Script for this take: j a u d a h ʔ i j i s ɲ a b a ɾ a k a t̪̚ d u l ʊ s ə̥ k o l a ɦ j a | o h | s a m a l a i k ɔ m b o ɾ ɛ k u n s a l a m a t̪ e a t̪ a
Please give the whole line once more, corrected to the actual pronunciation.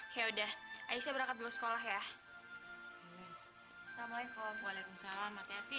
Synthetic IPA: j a u d a h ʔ a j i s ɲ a b ə ɾ a k a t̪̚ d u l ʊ s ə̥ k o l a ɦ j a | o s | s a m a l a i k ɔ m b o l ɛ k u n s a l a m a t̪ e a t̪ i